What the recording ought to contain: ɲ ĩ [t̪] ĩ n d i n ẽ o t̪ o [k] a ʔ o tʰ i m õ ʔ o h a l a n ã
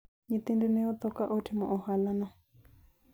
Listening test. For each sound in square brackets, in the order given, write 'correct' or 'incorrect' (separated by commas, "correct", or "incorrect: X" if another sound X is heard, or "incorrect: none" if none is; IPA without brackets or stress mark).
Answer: correct, correct